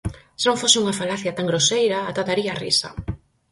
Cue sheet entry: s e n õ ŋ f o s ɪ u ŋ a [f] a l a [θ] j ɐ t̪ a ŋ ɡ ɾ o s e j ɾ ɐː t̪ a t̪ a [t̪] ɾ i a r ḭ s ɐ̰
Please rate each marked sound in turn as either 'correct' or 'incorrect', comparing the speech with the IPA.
correct, correct, incorrect

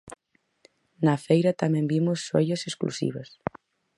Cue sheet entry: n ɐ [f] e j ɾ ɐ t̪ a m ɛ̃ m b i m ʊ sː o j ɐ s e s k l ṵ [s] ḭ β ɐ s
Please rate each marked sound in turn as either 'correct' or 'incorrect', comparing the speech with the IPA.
correct, correct

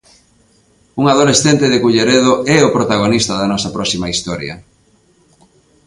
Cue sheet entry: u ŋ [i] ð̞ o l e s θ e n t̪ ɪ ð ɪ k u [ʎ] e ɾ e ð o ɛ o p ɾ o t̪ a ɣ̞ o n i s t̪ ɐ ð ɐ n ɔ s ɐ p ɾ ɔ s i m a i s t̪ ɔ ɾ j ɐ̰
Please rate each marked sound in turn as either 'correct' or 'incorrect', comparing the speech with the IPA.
incorrect, correct

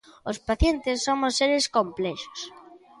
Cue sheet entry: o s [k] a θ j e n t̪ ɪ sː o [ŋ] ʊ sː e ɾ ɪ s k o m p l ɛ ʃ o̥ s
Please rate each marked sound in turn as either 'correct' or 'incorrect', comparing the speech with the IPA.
incorrect, incorrect

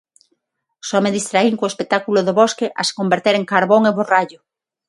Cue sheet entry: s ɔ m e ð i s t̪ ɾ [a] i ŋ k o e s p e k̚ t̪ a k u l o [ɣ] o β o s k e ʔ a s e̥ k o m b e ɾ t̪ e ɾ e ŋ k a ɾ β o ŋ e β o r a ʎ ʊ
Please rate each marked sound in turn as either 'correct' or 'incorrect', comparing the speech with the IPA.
correct, incorrect

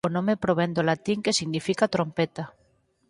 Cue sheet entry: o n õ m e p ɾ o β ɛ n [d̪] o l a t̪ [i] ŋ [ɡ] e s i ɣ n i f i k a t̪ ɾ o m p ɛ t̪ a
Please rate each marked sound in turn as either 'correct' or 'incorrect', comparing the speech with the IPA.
correct, correct, incorrect

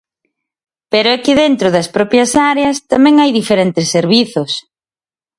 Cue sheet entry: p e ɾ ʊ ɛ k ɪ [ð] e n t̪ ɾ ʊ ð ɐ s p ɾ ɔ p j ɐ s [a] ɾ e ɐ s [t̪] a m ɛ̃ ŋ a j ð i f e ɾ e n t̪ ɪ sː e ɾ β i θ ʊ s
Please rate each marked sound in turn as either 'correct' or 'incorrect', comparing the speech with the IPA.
correct, correct, correct

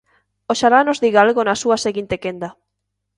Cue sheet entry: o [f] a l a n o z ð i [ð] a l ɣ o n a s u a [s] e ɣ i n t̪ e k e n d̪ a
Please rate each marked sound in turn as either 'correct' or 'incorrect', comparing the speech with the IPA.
incorrect, incorrect, correct

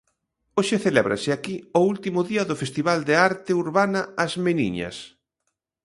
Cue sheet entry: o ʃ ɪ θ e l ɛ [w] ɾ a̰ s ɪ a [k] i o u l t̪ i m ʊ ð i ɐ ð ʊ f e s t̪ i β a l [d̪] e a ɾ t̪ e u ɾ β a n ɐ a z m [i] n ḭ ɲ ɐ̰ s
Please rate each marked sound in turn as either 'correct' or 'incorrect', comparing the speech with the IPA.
incorrect, correct, correct, incorrect

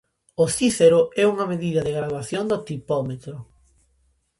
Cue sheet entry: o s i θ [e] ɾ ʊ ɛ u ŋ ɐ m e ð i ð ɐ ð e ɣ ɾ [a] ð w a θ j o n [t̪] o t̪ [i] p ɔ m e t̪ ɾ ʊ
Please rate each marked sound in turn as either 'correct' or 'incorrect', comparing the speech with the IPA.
correct, correct, incorrect, correct

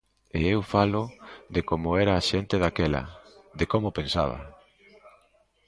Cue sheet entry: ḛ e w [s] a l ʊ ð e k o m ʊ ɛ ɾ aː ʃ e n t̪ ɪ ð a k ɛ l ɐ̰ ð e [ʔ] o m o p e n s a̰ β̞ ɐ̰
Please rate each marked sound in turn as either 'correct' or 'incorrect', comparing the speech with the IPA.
incorrect, incorrect

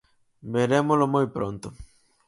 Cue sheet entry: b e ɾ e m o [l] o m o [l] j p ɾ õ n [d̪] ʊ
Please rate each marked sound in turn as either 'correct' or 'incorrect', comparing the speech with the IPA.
correct, incorrect, incorrect

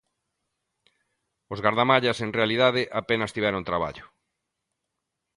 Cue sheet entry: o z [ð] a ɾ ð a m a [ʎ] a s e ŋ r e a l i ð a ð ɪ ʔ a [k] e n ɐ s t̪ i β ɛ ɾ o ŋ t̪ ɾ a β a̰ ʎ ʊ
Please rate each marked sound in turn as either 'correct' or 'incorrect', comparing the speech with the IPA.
incorrect, correct, incorrect

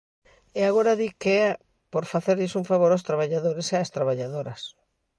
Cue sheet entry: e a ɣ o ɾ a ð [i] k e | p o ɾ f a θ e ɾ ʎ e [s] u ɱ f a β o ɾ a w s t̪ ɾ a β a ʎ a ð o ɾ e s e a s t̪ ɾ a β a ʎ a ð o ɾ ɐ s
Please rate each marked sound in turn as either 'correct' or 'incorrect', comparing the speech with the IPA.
correct, correct

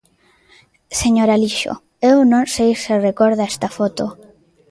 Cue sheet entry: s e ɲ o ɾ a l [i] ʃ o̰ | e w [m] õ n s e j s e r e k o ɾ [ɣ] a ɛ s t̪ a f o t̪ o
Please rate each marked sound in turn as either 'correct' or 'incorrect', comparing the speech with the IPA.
correct, incorrect, incorrect

